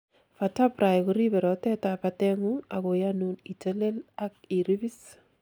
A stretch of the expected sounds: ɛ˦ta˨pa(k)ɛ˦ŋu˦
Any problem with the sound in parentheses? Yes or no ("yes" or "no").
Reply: yes